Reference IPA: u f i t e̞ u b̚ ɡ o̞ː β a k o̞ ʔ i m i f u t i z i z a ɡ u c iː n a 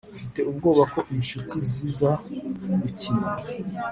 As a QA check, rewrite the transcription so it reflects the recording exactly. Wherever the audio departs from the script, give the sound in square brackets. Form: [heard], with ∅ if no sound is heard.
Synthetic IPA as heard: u f i t e̞ u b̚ ɡ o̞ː β a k o̞ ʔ i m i [ʃ] u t i z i z a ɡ u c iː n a